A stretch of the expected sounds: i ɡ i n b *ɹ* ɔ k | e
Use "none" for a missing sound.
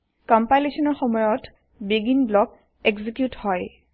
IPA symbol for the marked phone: l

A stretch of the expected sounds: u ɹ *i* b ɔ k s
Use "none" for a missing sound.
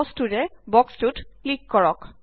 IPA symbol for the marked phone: ɛ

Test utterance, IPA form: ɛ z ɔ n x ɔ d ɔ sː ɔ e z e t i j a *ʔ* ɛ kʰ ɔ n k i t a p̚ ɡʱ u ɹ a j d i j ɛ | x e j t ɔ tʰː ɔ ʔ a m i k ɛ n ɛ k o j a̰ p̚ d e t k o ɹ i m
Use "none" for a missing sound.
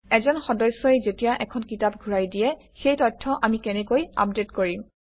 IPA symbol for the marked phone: ʔ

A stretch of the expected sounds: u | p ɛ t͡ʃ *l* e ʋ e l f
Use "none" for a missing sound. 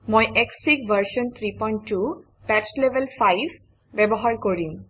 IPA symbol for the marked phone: l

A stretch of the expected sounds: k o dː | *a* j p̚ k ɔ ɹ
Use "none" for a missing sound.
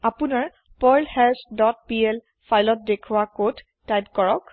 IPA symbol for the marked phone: a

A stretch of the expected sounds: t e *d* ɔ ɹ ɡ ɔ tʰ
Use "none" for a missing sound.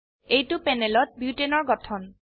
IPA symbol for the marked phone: n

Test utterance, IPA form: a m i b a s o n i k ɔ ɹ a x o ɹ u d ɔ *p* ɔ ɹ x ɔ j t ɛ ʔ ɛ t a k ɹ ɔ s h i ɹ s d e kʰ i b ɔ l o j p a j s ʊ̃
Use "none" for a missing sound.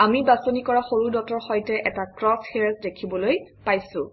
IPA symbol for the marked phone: t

